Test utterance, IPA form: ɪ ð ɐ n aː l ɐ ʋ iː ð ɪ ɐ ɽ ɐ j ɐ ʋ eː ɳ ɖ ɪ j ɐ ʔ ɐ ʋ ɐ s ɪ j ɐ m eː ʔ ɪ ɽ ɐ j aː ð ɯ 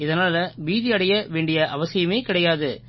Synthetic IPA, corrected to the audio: ɪ ð ɐ n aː l ɐ ʋ iː ð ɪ ɐ ɽ ɐ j ɐ ʋ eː ɳ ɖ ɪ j ɐ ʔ ɐ ʋ ɐ s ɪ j ɐ m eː k ɪ ɽ ɐ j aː ð ɯ